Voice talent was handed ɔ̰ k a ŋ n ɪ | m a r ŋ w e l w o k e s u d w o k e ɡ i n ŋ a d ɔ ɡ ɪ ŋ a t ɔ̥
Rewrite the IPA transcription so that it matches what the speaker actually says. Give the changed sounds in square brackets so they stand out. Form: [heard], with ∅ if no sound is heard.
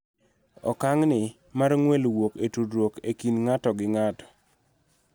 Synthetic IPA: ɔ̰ k a ŋ n ɪ | m a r ŋ w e l w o k e [t] u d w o k e [k] i n ŋ a [t] ɔ ɡ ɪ ŋ a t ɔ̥